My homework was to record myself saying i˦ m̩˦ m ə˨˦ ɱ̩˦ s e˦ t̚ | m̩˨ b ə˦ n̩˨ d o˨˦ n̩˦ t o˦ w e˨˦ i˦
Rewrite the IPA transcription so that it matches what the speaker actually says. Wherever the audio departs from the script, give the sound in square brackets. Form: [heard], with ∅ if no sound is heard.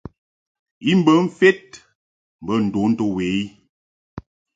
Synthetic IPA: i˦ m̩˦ [b] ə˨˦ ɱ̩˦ [f] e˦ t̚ | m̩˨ b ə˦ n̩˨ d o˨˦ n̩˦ t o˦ w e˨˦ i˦